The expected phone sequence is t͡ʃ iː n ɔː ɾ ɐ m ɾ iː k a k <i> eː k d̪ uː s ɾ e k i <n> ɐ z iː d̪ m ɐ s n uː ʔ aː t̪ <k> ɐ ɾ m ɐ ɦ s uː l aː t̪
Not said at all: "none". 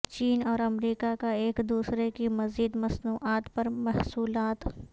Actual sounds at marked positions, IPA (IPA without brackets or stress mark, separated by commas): a, m, p